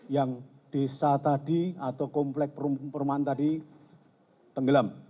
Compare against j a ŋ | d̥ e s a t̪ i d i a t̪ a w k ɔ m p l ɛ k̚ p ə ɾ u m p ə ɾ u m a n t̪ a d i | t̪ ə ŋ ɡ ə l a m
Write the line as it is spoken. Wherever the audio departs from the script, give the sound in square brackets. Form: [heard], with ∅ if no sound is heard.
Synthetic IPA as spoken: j a ŋ | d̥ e s a t̪ [a] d i a t̪ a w k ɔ m p l ɛ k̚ p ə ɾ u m p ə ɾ u m a n t̪ a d i | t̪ ə ŋ ɡ ə l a m

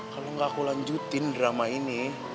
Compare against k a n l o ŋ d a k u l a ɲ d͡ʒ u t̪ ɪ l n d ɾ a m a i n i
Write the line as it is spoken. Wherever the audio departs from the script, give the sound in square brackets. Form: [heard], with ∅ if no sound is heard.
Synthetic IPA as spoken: k a [∅] l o ŋ [ɡ] a k u l a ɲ d͡ʒ u t̪ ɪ [∅] n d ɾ a m a i n i

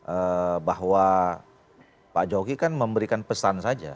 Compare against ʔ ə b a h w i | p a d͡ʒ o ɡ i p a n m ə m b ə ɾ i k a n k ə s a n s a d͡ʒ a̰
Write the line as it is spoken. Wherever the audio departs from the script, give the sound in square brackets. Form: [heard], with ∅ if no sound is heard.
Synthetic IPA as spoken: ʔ ə b a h w [a] | p a d͡ʒ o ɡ i [k] a n m ə m b ə ɾ i k a n [p] ə s a n s a d͡ʒ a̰

